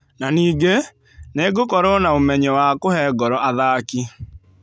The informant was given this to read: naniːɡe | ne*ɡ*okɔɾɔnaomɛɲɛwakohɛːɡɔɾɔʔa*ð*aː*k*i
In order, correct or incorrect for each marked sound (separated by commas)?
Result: correct, correct, correct